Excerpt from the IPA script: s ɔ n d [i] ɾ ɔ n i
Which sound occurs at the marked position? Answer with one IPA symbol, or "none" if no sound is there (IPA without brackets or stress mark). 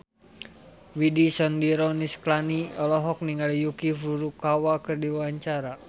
i